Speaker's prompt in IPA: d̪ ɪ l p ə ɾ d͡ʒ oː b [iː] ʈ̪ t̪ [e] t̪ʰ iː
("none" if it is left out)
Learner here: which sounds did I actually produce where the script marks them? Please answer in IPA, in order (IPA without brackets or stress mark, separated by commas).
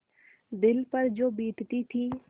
iː, i